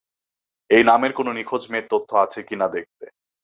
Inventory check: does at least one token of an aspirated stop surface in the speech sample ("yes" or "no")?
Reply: yes